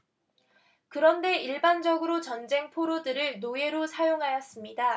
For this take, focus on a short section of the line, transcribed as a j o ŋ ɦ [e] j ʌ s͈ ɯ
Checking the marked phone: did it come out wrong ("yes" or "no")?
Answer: yes